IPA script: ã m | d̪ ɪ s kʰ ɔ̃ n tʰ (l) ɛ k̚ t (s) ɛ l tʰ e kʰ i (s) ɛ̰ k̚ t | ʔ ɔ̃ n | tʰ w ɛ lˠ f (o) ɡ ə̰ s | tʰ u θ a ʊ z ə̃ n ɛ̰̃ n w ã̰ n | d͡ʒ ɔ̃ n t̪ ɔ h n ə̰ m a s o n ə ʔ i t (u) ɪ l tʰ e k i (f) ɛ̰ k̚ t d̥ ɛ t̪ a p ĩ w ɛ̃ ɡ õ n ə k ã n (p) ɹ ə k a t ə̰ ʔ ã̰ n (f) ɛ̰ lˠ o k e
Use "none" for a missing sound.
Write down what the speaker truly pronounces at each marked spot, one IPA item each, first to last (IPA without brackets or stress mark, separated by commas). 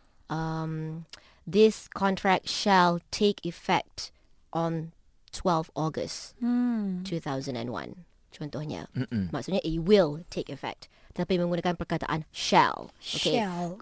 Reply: ɹ, ʃ, f, ɔ, w, f, p, ʃ